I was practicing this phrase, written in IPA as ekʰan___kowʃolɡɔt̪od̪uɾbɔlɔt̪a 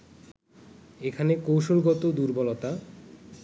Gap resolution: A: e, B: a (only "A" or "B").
A